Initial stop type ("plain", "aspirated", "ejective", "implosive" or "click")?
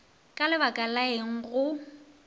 ejective